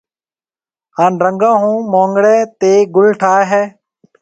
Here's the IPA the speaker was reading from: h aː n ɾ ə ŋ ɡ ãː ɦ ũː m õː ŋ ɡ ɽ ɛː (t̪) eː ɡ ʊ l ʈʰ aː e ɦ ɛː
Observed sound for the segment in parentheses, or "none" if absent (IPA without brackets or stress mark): t̪